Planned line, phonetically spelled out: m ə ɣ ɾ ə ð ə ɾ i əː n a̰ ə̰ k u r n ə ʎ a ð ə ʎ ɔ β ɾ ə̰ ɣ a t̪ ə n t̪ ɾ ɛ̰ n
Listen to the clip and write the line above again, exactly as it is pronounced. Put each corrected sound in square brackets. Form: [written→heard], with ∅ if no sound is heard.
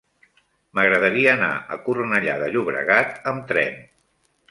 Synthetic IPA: m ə ɣ ɾ ə ð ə ɾ i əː n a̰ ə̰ k u r n ə ʎ a ð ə ʎ [ɔ→u] β ɾ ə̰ ɣ a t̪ ə [n→m] t̪ ɾ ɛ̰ n